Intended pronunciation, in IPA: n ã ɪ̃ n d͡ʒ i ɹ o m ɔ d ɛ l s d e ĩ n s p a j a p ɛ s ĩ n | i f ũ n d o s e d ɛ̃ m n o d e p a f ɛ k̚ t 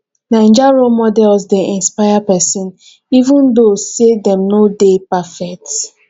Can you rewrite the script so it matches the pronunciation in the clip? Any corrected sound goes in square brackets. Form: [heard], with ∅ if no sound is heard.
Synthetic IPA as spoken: n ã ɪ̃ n d͡ʒ [a] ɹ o m ɔ d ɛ l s d e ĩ n s p a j a p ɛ s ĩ n | i [v] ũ n d o s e d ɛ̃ m n o d e p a f ɛ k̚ t